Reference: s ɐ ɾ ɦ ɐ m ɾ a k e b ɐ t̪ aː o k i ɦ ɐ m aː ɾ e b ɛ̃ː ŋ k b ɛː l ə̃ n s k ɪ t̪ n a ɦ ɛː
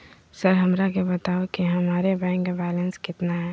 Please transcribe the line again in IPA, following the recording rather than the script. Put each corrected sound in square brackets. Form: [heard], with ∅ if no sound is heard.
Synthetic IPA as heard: s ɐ ɾ ɦ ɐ m ɾ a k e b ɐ t̪ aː o k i ɦ ɐ m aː ɾ e b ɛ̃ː ŋ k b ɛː l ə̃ n s k ɪ t̪ n a ɦ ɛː